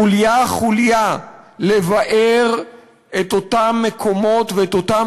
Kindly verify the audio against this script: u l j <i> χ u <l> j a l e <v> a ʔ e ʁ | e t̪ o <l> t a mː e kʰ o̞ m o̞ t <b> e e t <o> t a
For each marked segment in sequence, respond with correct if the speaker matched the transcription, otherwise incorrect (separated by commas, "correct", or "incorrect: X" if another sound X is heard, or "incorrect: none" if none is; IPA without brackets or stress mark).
incorrect: a, correct, correct, incorrect: none, incorrect: v, correct